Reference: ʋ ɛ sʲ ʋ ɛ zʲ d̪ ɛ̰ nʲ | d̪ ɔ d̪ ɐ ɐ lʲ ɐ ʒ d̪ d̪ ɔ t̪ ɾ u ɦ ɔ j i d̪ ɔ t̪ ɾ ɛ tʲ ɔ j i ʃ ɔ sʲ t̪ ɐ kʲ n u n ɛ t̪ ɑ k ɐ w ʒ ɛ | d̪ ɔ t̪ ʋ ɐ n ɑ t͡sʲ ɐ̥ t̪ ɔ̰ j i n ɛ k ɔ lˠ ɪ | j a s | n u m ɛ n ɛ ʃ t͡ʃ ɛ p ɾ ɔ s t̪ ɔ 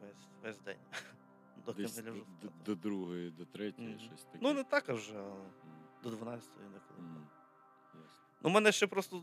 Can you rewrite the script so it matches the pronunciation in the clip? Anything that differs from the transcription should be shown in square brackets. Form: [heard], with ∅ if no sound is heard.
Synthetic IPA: ʋ ɛ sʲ ʋ ɛ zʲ d̪ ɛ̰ nʲ | d̪ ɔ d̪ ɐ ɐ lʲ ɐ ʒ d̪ d̪ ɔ [d̪] ɾ u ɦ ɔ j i d̪ ɔ t̪ ɾ ɛ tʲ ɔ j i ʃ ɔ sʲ t̪ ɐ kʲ n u n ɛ t̪ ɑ k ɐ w ʒ ɛ | d̪ ɔ [d̪] ʋ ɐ n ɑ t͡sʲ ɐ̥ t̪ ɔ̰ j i n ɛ k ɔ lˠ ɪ | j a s | n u m ɛ n ɛ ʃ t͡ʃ ɛ p ɾ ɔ s t̪ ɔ